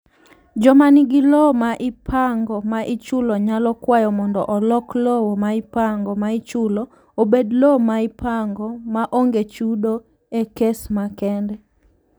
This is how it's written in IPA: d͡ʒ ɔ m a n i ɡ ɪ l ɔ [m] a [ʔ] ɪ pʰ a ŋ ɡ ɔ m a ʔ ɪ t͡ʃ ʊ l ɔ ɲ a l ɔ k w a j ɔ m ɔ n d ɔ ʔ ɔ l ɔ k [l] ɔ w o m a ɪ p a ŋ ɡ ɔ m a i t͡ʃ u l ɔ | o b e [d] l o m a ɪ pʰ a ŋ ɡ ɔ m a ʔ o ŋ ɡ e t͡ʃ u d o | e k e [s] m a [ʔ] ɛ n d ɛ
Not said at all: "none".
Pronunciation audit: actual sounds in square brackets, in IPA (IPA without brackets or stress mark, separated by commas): m, ʔ, l, d, s, k